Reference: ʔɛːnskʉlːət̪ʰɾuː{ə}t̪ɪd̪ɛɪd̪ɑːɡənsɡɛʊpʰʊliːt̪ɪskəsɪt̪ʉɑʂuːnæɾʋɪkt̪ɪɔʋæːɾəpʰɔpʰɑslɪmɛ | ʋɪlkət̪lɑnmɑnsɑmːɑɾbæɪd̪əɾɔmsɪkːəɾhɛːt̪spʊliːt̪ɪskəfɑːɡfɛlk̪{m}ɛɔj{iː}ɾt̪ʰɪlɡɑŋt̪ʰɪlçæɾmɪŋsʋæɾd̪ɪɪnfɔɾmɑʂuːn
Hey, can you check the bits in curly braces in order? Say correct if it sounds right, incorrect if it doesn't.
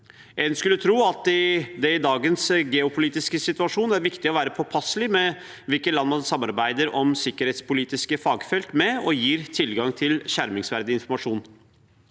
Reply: incorrect, correct, correct

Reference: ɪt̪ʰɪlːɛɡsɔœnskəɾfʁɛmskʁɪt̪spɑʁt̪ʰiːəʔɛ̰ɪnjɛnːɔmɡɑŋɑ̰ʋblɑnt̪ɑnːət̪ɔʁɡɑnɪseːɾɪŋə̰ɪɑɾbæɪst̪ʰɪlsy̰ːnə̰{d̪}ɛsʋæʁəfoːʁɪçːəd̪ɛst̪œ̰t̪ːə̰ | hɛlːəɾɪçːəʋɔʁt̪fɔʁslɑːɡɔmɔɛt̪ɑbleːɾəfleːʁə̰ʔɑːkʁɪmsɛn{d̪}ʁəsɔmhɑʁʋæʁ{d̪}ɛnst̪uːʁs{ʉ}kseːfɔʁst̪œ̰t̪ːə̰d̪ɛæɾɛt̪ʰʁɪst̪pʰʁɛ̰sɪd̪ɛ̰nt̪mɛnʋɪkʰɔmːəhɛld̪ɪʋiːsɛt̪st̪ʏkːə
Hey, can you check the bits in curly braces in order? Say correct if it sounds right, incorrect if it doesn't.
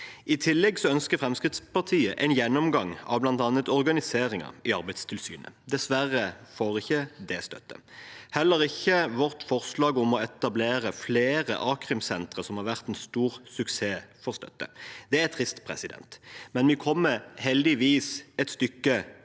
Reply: correct, incorrect, incorrect, correct

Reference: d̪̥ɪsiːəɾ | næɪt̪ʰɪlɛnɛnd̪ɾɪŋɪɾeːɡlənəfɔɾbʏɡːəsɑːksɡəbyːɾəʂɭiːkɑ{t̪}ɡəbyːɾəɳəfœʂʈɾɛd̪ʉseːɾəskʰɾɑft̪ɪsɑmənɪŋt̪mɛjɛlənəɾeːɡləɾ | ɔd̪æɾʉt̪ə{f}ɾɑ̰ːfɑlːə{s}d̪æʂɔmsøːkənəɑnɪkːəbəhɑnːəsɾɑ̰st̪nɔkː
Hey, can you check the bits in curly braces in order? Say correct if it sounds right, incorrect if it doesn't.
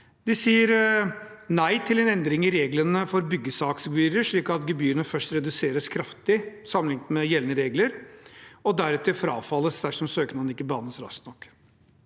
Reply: correct, correct, correct

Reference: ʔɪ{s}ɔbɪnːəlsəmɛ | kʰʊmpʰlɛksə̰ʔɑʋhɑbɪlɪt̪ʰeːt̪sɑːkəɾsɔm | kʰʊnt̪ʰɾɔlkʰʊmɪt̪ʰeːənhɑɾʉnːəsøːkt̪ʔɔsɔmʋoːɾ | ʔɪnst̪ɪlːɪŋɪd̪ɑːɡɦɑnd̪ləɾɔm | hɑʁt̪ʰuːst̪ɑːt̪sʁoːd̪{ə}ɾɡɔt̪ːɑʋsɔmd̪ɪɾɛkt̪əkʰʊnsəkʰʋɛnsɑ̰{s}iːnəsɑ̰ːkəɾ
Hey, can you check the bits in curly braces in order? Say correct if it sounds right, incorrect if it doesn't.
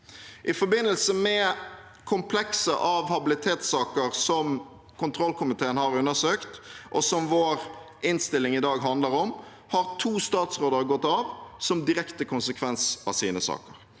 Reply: incorrect, correct, correct

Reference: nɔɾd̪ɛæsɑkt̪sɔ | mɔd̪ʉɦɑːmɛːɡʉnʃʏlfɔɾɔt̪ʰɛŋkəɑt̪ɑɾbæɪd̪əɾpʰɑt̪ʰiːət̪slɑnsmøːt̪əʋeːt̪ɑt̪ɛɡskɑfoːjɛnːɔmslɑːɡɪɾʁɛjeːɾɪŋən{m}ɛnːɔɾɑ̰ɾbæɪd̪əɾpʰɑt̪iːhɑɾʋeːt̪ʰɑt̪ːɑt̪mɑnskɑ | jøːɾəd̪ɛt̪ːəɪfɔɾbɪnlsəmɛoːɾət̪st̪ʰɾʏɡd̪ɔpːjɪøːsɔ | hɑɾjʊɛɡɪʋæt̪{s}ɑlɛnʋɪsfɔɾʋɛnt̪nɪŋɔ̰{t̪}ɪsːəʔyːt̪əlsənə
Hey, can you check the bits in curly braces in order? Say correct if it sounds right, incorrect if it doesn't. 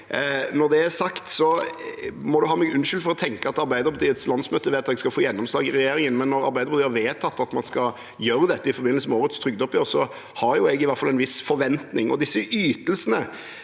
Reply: correct, incorrect, incorrect

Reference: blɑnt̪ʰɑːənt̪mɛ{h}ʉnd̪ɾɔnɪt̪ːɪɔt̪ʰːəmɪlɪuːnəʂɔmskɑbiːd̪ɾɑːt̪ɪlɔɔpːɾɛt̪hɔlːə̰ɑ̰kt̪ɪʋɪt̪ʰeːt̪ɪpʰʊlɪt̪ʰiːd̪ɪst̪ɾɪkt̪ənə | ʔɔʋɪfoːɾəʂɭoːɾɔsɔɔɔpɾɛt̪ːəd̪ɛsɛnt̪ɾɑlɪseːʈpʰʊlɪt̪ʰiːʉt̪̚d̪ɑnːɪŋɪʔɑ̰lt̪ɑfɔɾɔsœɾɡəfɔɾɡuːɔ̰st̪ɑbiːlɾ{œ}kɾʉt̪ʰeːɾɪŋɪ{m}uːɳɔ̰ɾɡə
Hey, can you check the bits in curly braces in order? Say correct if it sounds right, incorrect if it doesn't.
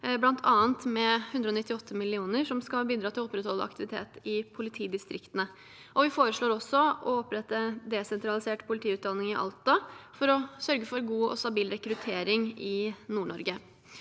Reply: correct, incorrect, incorrect

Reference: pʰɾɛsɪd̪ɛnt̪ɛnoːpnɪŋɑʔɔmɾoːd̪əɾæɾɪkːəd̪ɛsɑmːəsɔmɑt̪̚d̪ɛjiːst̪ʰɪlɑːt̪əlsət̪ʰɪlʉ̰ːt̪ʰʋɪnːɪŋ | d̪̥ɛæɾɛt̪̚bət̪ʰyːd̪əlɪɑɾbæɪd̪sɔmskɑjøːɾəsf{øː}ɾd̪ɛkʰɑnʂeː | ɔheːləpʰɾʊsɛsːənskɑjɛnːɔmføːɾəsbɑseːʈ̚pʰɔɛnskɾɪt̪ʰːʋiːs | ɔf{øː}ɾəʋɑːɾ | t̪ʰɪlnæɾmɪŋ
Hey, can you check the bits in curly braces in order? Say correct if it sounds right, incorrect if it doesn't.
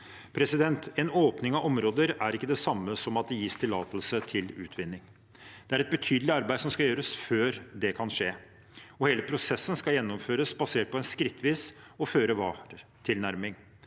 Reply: correct, correct

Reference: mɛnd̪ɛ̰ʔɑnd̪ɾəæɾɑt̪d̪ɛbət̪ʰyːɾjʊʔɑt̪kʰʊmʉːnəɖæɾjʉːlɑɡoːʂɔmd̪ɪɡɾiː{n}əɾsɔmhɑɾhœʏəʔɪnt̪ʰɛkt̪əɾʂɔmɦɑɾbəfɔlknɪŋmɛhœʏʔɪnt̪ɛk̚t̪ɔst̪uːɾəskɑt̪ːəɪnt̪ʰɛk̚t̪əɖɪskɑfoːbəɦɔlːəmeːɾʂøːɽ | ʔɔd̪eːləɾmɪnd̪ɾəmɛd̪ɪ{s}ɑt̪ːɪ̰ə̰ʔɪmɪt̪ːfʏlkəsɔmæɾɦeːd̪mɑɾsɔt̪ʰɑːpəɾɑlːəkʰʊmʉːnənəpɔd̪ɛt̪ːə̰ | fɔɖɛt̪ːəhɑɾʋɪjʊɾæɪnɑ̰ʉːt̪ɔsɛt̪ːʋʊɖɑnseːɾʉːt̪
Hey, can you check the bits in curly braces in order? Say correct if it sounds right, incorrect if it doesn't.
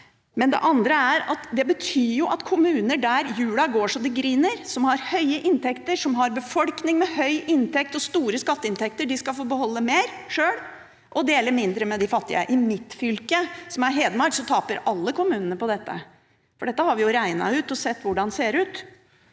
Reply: correct, incorrect

